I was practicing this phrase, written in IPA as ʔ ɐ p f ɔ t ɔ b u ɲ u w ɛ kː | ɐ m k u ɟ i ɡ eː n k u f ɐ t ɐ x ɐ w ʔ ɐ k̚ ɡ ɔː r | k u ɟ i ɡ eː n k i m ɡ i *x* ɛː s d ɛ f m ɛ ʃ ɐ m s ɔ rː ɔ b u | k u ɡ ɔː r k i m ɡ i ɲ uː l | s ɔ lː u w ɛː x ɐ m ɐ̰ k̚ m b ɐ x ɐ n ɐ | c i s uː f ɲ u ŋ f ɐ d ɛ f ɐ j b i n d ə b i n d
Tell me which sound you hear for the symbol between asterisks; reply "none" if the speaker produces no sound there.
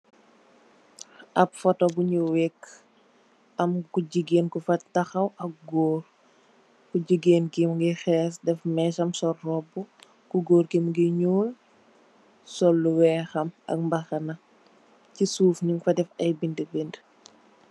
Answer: x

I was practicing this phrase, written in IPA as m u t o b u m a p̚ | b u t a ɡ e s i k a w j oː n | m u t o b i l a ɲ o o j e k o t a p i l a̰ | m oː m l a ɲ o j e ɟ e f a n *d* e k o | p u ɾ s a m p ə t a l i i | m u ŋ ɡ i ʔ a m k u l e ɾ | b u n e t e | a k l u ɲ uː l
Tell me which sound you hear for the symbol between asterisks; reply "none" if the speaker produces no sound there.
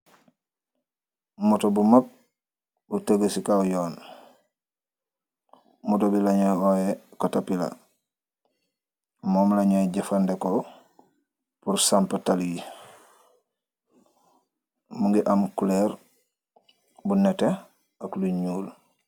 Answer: d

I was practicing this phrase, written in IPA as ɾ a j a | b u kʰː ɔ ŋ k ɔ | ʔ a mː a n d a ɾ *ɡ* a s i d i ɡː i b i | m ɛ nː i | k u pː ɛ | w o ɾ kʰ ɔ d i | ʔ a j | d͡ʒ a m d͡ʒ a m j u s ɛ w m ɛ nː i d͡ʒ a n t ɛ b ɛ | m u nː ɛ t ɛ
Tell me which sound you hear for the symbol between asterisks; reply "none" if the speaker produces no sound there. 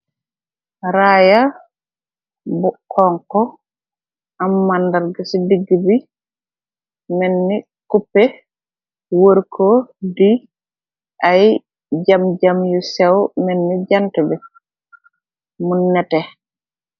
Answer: ɡ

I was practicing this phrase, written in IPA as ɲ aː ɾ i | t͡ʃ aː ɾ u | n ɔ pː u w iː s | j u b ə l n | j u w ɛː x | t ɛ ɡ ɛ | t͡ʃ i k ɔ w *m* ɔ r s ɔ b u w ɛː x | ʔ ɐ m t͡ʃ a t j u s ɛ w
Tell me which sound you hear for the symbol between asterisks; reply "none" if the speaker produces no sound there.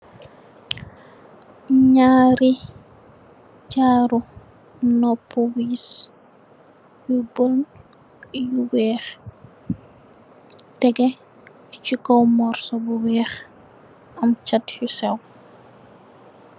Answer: m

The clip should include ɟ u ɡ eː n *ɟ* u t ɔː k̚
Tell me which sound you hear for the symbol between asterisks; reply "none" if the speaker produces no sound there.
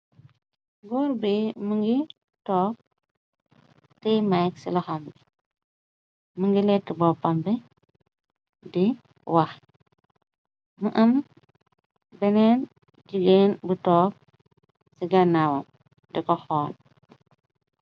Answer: b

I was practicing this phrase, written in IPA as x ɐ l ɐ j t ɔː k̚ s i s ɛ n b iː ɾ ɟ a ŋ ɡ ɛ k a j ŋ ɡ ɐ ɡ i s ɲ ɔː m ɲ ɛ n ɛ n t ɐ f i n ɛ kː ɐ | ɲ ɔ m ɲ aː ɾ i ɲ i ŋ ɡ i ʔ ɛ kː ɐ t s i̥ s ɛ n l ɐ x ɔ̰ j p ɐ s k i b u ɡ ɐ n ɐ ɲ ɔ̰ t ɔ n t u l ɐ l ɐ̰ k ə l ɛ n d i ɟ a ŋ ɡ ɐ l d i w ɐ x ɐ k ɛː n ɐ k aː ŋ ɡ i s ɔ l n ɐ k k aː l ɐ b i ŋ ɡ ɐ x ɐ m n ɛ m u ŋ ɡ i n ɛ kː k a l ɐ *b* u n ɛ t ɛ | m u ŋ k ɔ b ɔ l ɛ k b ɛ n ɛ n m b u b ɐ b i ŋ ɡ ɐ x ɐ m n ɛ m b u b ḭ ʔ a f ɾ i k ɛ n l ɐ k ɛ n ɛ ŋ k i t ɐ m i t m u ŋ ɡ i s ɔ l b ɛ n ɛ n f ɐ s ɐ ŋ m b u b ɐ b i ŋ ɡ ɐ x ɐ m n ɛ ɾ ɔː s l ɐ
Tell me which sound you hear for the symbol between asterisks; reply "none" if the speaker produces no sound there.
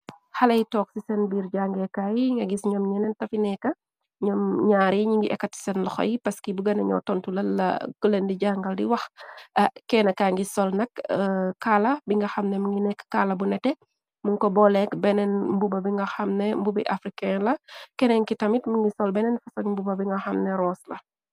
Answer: b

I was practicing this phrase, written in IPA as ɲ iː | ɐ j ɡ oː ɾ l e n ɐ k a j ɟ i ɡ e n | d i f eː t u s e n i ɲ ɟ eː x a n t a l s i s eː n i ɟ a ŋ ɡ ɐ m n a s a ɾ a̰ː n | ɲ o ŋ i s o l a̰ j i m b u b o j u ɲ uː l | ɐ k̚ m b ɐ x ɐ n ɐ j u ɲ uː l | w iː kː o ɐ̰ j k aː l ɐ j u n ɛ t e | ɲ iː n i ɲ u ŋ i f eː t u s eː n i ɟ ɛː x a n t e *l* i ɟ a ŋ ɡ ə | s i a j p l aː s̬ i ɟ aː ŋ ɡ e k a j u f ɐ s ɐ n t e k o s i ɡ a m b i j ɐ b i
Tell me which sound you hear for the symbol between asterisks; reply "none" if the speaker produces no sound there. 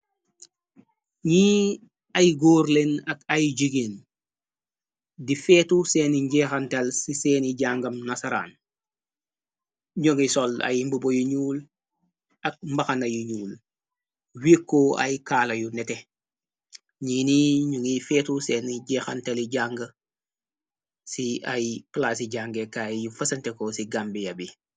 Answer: l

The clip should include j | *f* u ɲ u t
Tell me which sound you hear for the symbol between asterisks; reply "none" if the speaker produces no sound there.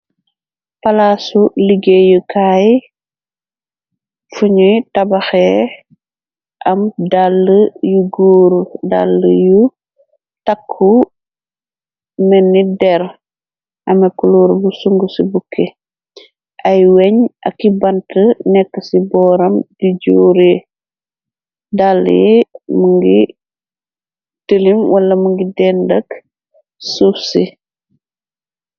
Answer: f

